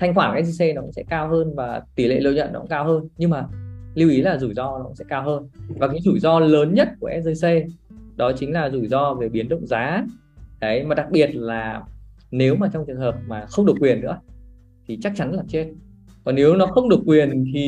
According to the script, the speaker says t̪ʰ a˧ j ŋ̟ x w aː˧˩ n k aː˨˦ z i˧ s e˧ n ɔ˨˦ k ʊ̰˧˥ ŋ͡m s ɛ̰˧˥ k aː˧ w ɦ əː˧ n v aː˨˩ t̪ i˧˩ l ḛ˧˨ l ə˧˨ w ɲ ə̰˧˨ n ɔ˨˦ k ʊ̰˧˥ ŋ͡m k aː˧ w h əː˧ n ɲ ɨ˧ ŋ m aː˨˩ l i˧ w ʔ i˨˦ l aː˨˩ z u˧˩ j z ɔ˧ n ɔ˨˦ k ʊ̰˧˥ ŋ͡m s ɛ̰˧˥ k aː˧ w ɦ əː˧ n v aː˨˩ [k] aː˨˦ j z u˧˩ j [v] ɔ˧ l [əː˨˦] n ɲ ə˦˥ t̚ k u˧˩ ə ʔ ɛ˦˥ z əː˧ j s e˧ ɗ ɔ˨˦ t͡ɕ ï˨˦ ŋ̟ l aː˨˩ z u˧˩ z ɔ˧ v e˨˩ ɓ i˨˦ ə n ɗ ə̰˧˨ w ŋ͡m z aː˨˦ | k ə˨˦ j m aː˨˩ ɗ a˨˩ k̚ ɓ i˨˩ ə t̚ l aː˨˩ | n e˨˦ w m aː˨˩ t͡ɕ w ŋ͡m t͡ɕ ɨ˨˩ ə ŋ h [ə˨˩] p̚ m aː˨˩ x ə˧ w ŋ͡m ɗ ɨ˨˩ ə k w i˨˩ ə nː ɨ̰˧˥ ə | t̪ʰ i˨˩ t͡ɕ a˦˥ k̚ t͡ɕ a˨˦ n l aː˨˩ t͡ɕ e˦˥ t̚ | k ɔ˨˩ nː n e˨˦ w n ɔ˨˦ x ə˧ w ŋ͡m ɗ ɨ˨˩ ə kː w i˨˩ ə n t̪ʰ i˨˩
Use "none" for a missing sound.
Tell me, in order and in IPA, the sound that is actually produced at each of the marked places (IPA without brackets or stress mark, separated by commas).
k, z, əː˨˦, əː˨˩